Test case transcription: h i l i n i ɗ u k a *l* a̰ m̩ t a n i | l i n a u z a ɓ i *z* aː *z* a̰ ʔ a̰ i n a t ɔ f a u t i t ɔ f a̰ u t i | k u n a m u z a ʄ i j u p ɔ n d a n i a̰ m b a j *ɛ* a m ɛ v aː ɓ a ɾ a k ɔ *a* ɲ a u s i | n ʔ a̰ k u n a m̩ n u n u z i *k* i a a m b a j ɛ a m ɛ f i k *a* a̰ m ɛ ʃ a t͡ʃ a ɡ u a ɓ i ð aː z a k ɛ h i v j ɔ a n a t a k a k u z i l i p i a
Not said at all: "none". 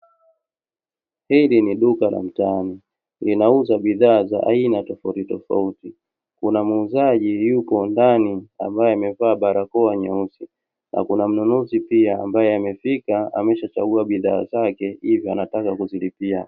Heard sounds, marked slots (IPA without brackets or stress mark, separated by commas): l, ð, z, ɛ, a, p, a